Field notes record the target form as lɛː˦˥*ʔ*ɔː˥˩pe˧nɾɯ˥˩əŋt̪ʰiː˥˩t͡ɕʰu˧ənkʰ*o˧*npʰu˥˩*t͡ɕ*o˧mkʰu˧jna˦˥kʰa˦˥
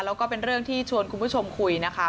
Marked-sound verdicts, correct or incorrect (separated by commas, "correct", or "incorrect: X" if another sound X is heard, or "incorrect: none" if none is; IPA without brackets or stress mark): incorrect: k, incorrect: u˧, incorrect: t͡ɕʰ